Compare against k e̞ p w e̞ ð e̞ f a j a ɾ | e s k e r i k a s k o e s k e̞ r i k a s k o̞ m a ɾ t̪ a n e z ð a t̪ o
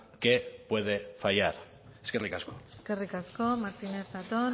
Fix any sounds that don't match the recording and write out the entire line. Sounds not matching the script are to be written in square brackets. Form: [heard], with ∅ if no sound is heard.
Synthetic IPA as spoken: k e̞ p w e̞ ð e̞ f a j a ɾ | e s k e r i k a s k o e s k e̞ r i k a s k o̞ m a ɾ t̪ [i] n e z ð a t̪ o

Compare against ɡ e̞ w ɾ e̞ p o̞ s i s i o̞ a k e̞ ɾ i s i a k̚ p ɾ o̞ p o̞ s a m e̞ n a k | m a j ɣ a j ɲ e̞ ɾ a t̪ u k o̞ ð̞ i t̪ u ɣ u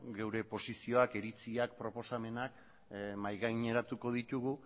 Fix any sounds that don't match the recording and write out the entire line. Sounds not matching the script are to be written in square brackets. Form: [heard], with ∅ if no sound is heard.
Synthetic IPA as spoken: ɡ e̞ w ɾ e̞ p o̞ s i s i o̞ a k e̞ ɾ i [t͡s] i a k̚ p ɾ o̞ p o̞ s a m e̞ n a k | m a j ɣ a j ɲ e̞ ɾ a t̪ u k o̞ ð̞ i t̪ u ɣ u

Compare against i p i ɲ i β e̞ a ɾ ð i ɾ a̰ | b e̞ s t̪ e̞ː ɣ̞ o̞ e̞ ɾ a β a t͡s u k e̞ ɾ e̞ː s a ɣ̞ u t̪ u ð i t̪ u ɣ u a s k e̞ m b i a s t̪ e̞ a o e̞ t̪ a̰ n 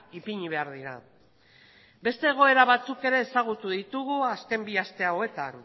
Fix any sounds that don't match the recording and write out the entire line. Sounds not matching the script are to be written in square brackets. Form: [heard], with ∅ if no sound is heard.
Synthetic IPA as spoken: i p i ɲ i β e̞ a ɾ ð i ɾ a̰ | b e̞ s t̪ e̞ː ɣ̞ o̞ e̞ ɾ a β a t͡s u k e̞ ɾ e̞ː s a ɣ̞ u t̪ u ð i t̪ u ɣ u a s k e̞ m b i a s t̪ e̞ a o e̞ t̪ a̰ n

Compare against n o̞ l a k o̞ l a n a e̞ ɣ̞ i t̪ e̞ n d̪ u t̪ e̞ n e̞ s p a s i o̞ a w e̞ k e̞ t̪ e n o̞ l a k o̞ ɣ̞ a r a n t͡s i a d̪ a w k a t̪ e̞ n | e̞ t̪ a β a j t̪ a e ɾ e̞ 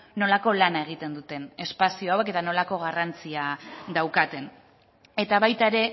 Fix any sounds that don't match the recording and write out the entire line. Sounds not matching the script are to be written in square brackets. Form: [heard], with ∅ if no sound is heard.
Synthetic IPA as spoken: n o̞ l a k o̞ l a n a e̞ ɣ̞ i t̪ e̞ n d̪ u t̪ e̞ n e̞ s p a s i o̞ a w e̞ k e̞ t̪ [a] n o̞ l a k o̞ ɣ̞ a r a n t͡s i a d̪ a w k a t̪ e̞ n | e̞ t̪ a β a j t̪ a e ɾ e̞

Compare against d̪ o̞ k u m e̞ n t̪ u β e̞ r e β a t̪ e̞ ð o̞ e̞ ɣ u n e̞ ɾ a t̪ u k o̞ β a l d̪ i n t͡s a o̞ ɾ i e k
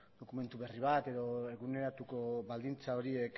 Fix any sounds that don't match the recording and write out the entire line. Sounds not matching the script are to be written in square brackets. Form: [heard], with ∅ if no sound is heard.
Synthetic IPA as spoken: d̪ o̞ k u m e̞ n t̪ u β e̞ r [i] β a t̪ e̞ ð o̞ e̞ ɣ u n e̞ ɾ a t̪ u k o̞ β a l d̪ i n t͡s a o̞ ɾ i e k

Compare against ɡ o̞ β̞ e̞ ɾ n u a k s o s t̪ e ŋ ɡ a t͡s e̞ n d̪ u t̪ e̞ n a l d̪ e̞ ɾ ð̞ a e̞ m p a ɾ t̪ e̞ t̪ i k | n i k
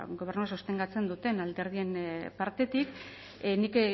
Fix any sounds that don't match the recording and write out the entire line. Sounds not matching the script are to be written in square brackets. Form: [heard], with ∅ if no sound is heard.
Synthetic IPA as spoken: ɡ o̞ β̞ e̞ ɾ n u a [∅] s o s t̪ e ŋ ɡ a t͡s e̞ n d̪ u t̪ e̞ n a l d̪ e̞ ɾ ð̞ [i] e̞ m p a ɾ t̪ e̞ t̪ i k | n i k

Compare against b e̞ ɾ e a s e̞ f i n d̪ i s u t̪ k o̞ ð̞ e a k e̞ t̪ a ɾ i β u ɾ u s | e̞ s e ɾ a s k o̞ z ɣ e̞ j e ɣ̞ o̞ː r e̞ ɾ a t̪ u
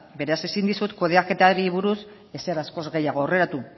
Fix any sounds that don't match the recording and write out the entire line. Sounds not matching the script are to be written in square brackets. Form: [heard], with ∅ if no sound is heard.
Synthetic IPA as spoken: b e̞ ɾ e a s e̞ [s] i n d̪ i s u t̪ k o̞ ð̞ e a k e̞ t̪ a ɾ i β u ɾ u s | e̞ s e ɾ a s k o̞ z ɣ e̞ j [a] ɣ̞ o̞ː r e̞ ɾ a t̪ u

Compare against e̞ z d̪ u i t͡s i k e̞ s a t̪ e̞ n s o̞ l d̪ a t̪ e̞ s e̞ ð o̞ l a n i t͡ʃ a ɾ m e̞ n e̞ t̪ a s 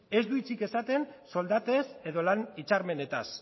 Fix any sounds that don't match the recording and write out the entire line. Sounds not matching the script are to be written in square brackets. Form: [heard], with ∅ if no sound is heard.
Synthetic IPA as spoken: e̞ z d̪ u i t͡s i k e̞ s a t̪ e̞ n s o̞ l d̪ a t̪ e̞ s e̞ ð o̞ l a n i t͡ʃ a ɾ m e̞ n e̞ t̪ a s

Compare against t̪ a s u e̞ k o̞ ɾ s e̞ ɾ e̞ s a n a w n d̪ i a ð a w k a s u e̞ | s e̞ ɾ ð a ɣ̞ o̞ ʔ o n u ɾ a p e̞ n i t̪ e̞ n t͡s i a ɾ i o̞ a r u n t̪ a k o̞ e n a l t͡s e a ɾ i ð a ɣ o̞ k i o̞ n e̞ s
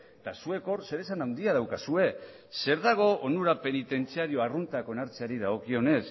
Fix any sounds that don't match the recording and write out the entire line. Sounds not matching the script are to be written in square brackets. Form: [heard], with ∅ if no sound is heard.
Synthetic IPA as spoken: t̪ a s u e̞ k o̞ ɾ s e̞ ɾ e̞ s a n a w n d̪ i a ð a w k a s u e̞ | s e̞ ɾ ð a ɣ̞ o̞ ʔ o n u ɾ a p e̞ n i t̪ e̞ n t͡s i a ɾ i o̞ a r u n t̪ a k o̞ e n a [ɾ] t͡s e a ɾ i ð a ɣ o̞ k i o̞ n e̞ s

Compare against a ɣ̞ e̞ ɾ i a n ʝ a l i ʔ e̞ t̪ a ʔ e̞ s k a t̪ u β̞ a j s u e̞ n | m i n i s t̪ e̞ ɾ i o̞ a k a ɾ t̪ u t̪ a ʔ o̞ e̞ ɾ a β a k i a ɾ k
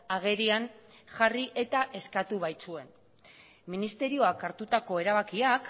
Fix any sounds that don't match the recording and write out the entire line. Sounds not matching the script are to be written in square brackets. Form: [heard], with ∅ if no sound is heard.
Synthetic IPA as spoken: a ɣ̞ e̞ ɾ i a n ʝ a [r] i ʔ e̞ t̪ a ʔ e̞ s k a t̪ u β̞ a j [t͡s] u e̞ n | m i n i s t̪ e̞ ɾ i o̞ a k a ɾ t̪ u t̪ a [k] o̞ e̞ ɾ a β a k i a [∅] k

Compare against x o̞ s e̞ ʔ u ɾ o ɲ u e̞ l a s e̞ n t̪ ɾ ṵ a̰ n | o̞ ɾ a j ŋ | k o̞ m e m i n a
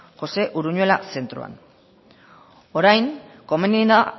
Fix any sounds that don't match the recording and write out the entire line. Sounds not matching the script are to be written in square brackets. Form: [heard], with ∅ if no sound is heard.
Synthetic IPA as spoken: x o̞ s e̞ ʔ u ɾ [u] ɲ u e̞ l a s e̞ n t̪ ɾ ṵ a̰ n | o̞ ɾ a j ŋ | k o̞ m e [n] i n a

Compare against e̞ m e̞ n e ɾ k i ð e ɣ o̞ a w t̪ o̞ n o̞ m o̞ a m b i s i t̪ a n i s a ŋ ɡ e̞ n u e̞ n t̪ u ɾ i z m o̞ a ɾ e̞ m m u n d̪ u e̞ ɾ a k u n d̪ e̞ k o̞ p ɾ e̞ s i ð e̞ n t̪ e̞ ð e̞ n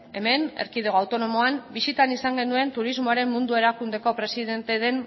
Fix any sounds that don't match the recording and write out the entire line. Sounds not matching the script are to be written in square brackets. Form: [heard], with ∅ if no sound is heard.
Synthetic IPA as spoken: e̞ m e̞ n e ɾ k i ð e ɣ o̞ a w t̪ o̞ n o̞ m o̞ a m b i s i t̪ a n i s a ŋ ɡ e̞ n u e̞ n t̪ u ɾ i z m o̞ a ɾ e̞ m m u n d̪ u e̞ ɾ a k u n d̪ e̞ k o̞ p ɾ e̞ s i ð e̞ n t̪ e̞ ð e̞ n

